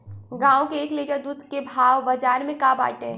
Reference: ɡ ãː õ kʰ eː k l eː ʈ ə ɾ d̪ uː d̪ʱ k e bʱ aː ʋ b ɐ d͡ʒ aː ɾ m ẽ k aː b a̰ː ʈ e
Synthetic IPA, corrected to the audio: ɡ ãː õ k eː k l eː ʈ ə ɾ d̪ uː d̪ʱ k e bʱ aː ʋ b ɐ d͡ʒ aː ɾ m ẽ k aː b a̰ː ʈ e

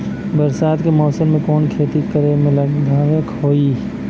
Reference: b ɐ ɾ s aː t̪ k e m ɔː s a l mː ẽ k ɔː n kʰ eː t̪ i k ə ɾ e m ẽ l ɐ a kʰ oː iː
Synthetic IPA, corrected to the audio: b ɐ ɾ s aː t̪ k e m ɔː s ə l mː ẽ k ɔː n kʰ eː t̪ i k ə ɾ e m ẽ l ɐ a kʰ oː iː

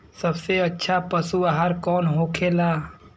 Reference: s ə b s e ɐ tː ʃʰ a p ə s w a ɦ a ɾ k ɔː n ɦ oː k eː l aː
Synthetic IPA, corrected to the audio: s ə b s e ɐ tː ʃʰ a p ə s u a ɦ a ɾ k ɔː n ɦ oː kʰ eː l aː

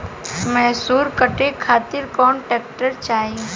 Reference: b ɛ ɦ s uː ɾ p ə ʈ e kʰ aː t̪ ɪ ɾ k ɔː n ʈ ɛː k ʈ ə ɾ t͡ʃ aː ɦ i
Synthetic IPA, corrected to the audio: m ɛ ɦ s uː ɾ k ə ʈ e kʰ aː t̪ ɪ ɾ k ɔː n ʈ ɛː k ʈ ə ɾ t͡ʃ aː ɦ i

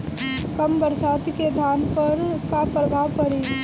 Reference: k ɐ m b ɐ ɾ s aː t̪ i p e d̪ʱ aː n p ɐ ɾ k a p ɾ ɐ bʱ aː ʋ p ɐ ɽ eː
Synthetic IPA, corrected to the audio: k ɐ m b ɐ ɾ s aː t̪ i k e d̪ʱ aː n p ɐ ɾ k a p ɾ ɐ bʱ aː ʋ p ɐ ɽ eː

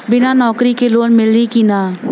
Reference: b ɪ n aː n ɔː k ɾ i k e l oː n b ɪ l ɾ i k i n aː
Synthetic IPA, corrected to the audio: b ɪ n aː n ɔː k ɾ i k e l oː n m ɪ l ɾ i k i n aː

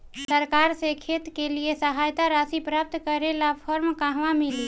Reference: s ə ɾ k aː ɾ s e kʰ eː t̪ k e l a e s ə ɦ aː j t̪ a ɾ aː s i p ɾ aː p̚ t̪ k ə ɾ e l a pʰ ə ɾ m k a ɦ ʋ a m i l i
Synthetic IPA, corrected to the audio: s ə ɾ k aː ɾ s e kʰ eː t̪ k e l i e s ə ɦ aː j t̪ a ɾ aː s i p ɾ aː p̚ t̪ k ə ɾ e l a pʰ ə ɾ m k a ɦ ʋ a m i l i

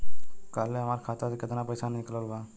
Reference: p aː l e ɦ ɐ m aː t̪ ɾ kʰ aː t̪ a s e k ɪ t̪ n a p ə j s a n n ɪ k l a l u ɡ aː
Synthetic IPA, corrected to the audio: k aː l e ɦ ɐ m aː ɾ kʰ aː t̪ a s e k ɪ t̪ n a p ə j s a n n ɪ k l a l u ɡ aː

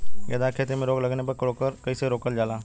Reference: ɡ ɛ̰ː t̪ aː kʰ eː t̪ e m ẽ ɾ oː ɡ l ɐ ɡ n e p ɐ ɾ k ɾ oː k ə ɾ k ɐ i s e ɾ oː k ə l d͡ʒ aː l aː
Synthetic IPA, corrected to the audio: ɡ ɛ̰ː d̪ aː kʰ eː t̪ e m ẽ ɾ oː ɡ l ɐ ɡ n e p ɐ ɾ k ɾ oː k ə ɾ k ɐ i s e ɾ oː k ə l d͡ʒ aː l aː

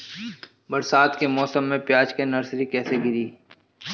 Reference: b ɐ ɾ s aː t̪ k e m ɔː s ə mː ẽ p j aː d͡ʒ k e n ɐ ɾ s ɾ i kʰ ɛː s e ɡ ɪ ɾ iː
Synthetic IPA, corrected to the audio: b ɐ ɾ s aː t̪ k e m ɔː s ə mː ẽ p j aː d͡ʒ k e n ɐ ɾ s ɾ i k ɛː s e ɡ ɪ ɾ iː

